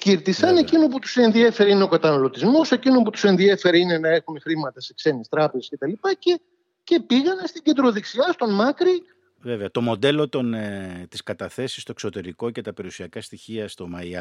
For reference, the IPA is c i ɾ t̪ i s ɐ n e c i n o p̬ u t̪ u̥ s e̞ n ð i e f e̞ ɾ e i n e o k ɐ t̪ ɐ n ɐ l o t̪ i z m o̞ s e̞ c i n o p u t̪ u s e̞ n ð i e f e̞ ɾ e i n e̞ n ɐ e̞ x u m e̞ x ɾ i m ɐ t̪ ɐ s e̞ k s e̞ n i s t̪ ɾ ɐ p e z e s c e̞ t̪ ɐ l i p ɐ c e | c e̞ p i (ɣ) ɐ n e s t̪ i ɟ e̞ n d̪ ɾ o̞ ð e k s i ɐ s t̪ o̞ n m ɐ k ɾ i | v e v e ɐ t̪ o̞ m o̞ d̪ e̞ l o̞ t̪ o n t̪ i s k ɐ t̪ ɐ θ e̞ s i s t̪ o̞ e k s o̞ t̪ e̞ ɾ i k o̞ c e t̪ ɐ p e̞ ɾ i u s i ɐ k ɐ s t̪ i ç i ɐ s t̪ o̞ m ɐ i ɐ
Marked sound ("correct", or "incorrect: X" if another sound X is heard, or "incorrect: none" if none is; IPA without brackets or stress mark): correct